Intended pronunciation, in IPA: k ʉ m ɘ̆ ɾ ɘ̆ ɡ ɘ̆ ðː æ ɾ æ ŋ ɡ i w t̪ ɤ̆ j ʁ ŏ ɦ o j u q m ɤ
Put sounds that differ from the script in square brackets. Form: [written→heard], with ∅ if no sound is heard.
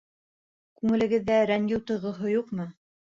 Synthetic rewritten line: k ʉ [m→ŋ] ɘ̆ [ɾ→l] ɘ̆ ɡ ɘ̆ ðː æ ɾ æ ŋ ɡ i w t̪ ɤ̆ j ʁ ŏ ɦ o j u q m ɤ